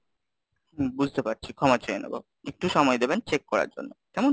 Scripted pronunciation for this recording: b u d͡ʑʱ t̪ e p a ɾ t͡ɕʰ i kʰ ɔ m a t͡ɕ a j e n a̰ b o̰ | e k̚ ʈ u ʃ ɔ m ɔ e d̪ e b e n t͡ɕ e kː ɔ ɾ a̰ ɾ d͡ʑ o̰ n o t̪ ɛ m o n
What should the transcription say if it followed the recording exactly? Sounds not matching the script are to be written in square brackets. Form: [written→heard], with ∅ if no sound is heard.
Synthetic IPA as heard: b u d͡ʑʱ t̪ e p a ɾ t͡ɕʰ i kʰ ɔ m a t͡ɕ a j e n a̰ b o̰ | e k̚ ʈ u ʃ ɔ m ɔ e d̪ e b e n t͡ɕ e kː ɔ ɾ a̰ ɾ d͡ʑ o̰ [n→nː] o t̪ ɛ m o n